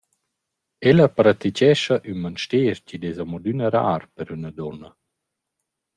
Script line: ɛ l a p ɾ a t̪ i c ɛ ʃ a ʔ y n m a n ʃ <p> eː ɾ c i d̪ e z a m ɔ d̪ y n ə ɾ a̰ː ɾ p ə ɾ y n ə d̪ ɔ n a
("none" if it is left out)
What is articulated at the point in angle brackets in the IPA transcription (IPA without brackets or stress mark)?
t